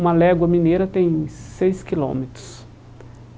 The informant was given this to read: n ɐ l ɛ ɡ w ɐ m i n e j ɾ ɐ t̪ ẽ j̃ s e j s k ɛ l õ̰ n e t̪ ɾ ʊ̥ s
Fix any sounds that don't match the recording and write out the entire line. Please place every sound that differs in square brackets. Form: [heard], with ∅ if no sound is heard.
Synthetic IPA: [m] ɐ l ɛ ɡ w ɐ m i n e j ɾ ɐ t̪ ẽ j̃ s e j s k [i] l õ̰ [m] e t̪ ɾ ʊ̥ s